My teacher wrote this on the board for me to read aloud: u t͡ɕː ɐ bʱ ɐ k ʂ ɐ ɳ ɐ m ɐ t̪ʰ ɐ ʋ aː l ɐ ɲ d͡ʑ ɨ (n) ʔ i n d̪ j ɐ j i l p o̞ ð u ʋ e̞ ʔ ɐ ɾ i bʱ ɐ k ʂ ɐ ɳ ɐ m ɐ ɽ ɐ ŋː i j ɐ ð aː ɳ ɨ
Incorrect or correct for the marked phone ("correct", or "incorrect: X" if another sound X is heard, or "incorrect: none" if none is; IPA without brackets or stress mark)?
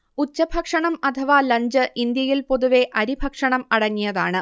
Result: incorrect: none